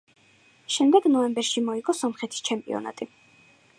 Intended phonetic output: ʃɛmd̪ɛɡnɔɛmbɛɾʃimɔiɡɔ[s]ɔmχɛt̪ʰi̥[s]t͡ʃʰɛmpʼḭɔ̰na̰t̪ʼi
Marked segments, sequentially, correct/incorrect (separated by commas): correct, correct